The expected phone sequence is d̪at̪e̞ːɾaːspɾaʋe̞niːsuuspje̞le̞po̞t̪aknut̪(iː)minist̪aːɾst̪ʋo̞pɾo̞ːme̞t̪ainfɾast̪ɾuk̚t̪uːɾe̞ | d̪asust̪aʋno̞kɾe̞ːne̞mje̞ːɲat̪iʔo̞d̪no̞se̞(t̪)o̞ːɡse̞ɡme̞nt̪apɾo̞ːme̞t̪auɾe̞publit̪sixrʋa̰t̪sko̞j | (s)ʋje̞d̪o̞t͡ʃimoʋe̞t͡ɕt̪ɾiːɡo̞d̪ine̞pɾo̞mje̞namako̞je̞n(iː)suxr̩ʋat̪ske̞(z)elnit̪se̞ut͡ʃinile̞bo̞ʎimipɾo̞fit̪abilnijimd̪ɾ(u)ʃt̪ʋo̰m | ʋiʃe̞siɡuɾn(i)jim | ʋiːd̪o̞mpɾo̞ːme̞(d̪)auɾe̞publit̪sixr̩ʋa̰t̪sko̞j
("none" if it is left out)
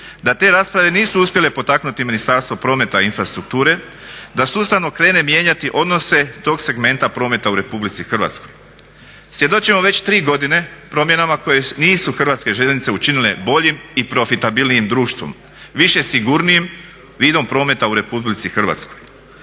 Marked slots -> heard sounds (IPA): i, t̪, s, iː, ʒ, uː, i, t̪

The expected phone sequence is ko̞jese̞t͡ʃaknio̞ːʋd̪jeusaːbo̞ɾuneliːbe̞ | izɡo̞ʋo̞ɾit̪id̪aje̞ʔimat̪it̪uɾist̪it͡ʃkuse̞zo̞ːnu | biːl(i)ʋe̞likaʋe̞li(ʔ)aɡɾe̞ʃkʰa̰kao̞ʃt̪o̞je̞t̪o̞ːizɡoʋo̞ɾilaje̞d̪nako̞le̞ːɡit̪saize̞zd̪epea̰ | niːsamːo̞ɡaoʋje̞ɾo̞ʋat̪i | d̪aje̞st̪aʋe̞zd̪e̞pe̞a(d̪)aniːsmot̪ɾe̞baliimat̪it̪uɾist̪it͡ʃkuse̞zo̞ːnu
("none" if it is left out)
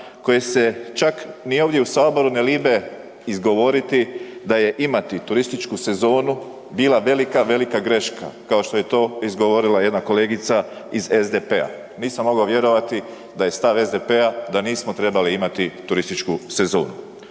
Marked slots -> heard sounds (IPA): a, k, d̪

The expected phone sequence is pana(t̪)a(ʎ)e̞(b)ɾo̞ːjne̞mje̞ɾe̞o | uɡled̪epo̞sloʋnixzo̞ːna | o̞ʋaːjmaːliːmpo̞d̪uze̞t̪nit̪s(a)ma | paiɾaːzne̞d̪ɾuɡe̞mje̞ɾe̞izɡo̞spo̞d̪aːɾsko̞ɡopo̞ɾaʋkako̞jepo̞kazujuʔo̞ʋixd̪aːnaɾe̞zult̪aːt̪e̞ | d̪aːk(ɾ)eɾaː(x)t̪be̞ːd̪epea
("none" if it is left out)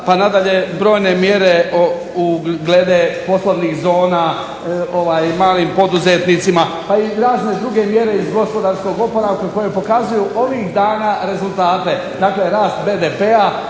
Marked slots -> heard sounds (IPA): d̪, ʎ, b, i, l, s

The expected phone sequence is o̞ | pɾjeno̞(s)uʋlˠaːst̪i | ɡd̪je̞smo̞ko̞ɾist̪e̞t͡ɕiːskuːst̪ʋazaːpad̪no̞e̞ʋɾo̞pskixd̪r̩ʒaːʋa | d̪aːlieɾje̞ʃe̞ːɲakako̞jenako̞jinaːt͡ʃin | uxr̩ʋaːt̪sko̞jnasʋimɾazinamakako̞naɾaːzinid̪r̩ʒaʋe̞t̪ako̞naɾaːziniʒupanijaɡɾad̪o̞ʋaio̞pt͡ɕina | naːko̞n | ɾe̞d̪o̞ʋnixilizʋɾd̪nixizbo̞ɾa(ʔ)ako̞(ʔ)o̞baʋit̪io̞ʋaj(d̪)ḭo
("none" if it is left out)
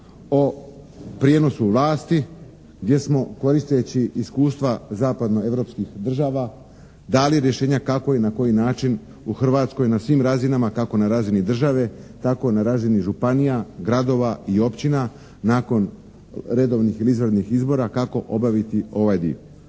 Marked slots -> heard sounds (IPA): s, k, ʔ, d̪

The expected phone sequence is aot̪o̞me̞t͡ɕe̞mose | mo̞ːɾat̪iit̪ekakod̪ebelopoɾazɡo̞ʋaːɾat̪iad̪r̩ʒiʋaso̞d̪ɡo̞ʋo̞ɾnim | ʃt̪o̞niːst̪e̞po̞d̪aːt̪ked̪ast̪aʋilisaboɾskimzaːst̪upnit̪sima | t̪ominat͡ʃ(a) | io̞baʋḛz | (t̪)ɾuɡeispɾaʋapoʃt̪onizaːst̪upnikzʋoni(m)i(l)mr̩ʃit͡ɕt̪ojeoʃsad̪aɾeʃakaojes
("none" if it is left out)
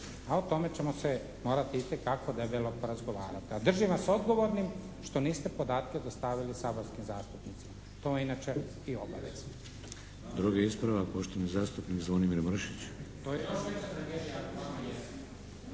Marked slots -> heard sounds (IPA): e, d̪, m, ɾ

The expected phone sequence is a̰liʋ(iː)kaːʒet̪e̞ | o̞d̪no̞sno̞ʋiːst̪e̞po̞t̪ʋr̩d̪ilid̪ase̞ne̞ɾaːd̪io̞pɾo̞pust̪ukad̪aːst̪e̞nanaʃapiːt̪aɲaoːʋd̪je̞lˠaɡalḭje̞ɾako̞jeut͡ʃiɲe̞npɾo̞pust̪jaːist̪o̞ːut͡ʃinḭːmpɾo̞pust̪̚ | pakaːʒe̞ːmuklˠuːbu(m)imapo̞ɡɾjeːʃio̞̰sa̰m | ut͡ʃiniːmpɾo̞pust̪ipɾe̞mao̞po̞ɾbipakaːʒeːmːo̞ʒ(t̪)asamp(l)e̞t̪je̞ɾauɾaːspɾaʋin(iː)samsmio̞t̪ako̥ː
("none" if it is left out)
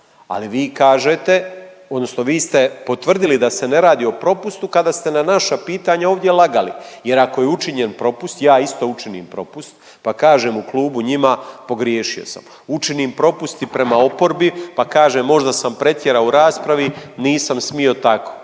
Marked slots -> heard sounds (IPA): iː, ɲ, d̪, ɾ, iː

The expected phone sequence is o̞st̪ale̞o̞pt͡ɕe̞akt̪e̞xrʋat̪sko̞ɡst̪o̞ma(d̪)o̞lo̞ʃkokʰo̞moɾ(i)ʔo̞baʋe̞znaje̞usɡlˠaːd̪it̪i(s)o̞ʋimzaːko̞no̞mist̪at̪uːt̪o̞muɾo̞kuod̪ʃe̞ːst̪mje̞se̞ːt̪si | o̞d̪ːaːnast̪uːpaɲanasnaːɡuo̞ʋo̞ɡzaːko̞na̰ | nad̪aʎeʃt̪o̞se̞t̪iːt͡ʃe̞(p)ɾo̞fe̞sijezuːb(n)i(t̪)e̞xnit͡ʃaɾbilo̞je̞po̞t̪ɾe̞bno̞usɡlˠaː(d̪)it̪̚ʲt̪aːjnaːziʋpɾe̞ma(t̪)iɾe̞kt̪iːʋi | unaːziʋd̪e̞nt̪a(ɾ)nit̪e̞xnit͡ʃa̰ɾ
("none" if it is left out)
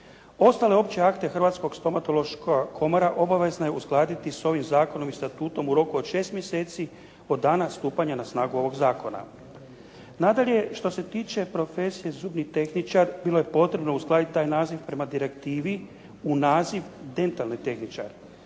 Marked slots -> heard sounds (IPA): t̪, a, s, p, n, t̪, d̪, d̪, l

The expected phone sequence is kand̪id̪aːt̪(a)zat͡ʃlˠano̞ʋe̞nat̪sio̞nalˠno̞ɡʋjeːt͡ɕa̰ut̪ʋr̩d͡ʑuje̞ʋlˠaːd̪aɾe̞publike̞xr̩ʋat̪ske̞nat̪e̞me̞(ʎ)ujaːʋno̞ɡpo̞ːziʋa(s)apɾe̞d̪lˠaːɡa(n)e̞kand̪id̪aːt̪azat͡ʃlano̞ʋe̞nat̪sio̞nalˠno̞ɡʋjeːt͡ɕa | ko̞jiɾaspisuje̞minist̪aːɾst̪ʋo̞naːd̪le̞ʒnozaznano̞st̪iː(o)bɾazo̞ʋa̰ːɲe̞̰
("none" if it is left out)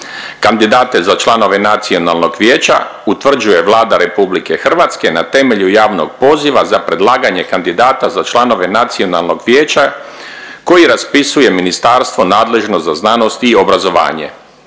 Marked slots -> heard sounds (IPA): e, ʎ, z, ɲ, o

